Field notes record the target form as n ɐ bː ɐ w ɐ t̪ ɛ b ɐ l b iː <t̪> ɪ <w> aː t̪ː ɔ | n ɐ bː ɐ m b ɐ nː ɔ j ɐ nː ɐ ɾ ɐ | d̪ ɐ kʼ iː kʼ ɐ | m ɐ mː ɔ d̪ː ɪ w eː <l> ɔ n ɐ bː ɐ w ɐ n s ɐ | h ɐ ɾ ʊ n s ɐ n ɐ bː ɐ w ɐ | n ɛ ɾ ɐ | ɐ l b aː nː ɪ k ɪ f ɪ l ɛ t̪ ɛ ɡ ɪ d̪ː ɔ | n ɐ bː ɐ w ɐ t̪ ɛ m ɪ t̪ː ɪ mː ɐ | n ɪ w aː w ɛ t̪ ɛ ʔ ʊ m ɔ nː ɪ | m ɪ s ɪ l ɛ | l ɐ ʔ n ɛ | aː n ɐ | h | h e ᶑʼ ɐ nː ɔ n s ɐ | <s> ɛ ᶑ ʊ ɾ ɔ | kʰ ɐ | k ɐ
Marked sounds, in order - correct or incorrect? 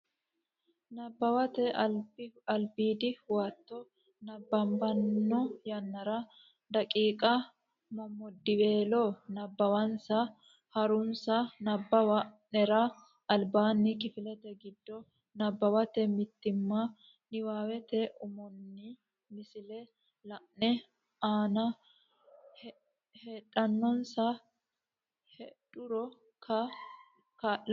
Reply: incorrect, correct, correct, incorrect

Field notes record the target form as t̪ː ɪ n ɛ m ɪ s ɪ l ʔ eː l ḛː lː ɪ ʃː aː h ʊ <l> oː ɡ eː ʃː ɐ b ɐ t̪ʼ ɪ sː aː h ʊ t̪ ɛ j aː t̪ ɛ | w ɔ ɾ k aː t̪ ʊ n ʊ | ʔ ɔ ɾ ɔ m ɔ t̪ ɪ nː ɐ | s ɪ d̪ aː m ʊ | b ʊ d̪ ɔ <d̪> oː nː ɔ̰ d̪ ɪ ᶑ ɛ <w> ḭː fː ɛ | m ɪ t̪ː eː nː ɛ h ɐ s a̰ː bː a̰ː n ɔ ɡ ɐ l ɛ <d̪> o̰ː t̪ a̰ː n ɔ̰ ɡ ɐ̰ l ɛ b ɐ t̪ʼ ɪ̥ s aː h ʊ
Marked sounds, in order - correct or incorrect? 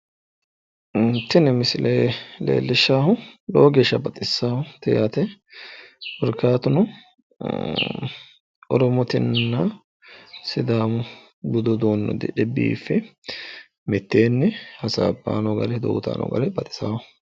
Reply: correct, correct, incorrect, correct

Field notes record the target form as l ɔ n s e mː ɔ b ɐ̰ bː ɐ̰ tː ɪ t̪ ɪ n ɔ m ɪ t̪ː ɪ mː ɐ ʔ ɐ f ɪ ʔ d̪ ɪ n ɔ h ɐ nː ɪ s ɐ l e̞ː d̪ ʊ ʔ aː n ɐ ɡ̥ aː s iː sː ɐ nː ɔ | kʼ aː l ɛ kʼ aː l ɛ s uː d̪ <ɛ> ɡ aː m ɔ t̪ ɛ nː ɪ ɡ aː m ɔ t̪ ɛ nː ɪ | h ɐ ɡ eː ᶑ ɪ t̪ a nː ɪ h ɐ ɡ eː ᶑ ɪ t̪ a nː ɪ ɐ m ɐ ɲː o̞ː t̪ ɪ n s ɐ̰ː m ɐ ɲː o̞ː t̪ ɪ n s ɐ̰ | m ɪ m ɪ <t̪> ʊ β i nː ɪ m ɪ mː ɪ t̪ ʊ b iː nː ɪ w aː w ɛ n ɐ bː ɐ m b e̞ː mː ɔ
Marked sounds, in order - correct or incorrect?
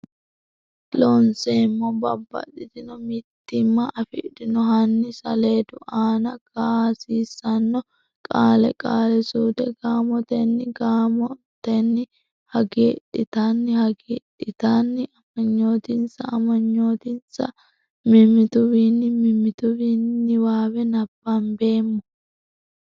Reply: correct, correct

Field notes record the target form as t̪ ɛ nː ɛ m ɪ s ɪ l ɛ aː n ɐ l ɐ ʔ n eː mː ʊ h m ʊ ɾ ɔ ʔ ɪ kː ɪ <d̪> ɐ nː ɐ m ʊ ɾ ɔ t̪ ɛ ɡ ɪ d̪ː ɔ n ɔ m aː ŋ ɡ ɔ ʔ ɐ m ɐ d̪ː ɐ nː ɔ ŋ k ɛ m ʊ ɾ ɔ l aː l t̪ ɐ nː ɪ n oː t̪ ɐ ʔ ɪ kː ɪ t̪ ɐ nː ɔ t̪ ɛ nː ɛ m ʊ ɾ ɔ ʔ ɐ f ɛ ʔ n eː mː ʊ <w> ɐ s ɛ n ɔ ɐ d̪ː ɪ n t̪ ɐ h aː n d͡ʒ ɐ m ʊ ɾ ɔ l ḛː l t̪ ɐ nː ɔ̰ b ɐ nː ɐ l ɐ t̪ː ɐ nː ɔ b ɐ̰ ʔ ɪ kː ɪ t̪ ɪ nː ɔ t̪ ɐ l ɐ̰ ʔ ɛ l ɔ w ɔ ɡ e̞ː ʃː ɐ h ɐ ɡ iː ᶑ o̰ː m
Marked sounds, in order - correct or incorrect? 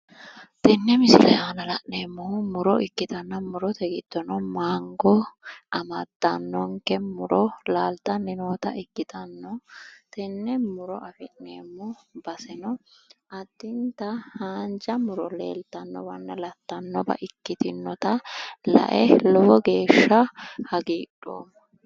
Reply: incorrect, incorrect

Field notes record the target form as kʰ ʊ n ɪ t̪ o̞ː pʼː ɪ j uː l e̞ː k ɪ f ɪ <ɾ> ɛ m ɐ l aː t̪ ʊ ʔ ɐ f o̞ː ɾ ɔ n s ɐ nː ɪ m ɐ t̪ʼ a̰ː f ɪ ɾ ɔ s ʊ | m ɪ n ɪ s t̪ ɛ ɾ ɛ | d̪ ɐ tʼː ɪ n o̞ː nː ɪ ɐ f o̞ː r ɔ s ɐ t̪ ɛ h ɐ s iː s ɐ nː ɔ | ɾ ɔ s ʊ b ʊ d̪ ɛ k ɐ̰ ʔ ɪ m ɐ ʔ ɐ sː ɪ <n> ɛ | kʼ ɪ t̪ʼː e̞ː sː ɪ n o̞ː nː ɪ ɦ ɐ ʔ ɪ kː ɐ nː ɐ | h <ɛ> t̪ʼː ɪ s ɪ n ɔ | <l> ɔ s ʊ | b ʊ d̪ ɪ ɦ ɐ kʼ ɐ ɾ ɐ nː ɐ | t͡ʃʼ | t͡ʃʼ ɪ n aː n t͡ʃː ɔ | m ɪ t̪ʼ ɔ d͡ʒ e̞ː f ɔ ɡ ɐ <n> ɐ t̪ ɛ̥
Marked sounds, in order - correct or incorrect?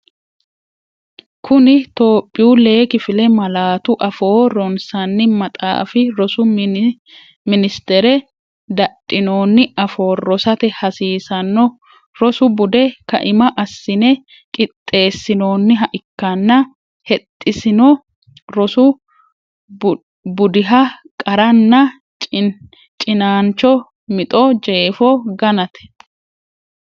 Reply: incorrect, correct, correct, incorrect, correct

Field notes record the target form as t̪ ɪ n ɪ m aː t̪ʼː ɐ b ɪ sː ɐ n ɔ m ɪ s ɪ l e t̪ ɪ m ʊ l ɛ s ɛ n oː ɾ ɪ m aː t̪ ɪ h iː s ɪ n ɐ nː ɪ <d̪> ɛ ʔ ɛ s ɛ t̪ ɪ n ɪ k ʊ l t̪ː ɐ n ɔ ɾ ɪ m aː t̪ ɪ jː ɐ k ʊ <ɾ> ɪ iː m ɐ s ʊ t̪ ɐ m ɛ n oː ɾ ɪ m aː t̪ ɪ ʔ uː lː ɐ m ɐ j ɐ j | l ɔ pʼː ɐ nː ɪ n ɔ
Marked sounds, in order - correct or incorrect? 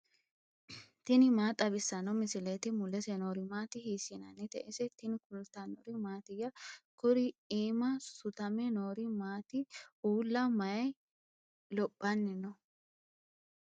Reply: incorrect, correct

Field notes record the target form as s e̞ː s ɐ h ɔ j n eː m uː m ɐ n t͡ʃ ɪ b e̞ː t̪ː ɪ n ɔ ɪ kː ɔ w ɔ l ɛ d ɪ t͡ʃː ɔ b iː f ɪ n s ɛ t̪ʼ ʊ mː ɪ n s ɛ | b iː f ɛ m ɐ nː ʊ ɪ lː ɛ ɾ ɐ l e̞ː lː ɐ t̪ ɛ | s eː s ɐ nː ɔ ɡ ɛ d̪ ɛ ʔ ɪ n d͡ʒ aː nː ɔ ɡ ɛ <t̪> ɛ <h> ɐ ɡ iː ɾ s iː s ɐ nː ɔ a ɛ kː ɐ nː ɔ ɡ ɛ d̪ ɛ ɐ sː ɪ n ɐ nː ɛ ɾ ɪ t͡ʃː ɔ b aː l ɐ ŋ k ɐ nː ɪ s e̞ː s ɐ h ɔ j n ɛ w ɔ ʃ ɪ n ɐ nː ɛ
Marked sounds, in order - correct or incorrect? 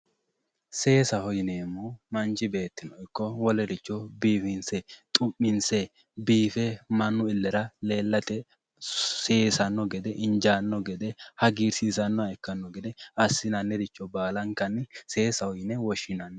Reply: incorrect, correct

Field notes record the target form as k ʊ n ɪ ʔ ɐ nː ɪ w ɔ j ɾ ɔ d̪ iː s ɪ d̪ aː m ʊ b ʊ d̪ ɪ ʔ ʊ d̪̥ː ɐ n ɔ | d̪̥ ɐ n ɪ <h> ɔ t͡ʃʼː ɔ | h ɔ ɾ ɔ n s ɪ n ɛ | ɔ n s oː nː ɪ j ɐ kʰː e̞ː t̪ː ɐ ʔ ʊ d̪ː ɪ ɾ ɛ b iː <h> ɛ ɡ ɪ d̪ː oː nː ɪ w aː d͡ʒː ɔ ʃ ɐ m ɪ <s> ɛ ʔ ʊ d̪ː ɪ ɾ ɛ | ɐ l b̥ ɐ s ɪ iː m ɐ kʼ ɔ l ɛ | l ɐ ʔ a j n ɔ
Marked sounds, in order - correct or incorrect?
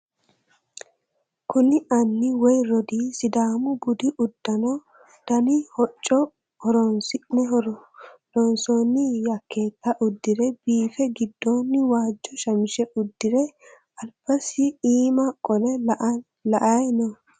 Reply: correct, incorrect, incorrect

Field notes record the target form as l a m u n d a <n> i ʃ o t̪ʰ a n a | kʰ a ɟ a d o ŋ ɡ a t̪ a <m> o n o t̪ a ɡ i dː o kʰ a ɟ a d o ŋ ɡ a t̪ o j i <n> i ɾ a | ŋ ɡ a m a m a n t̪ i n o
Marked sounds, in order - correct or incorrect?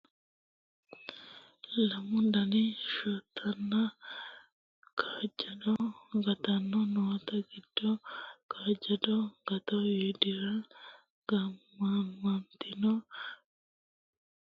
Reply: correct, incorrect, incorrect

